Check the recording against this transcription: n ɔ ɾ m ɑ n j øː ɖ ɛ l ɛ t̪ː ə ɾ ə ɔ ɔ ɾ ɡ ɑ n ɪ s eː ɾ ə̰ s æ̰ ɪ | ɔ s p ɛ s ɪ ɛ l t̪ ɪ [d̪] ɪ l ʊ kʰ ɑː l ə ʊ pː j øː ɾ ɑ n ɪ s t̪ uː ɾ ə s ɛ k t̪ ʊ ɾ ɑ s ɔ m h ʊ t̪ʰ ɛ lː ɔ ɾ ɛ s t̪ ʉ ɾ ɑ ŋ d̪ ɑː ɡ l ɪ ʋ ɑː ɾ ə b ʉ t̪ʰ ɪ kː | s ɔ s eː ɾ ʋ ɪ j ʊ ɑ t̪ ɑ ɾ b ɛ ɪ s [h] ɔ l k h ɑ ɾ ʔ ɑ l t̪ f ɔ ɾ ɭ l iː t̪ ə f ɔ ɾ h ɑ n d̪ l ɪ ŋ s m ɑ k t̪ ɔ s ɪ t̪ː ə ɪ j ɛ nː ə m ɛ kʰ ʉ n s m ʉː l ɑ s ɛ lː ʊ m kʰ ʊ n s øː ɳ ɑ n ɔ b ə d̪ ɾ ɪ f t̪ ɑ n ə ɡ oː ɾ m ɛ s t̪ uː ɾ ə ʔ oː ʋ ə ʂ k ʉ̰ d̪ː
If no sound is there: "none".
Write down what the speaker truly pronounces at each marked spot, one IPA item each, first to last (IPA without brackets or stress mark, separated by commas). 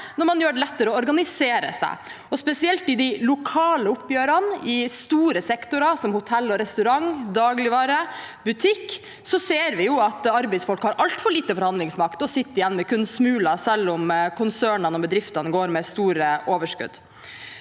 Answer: d̪, f